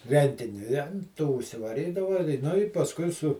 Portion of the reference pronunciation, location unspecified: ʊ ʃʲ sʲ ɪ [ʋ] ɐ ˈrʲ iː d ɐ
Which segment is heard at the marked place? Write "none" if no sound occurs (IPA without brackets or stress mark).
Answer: ʋ